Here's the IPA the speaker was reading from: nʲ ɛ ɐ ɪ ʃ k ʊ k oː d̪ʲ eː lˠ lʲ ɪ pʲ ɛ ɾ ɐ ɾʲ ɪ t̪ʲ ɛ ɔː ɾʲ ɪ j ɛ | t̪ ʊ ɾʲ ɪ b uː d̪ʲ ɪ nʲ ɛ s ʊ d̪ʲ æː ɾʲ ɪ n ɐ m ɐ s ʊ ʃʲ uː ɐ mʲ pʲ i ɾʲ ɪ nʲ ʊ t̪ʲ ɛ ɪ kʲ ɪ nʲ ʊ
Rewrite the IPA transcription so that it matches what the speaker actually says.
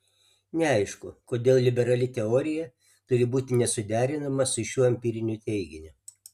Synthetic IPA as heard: nʲ ɛ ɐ ɪ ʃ k ʊ k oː d̪ʲ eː lˠ lʲ ɪ bʲ ɛ ɾ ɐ lʲ ɪ t̪ʲ ɛ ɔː ɾʲ ɪ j ɛ | t̪ ʊ ɾʲ ɪ b uː t̪ʲ ɪ nʲ ɛ s ʊ d̪ʲ æː ɾʲ ɪ n ɐ m ɐ s ʊ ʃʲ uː ɐ mʲ pʲ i ɾʲ ɪ nʲ ʊ t̪ʲ ɛ ɪ ɡʲ ɪ nʲ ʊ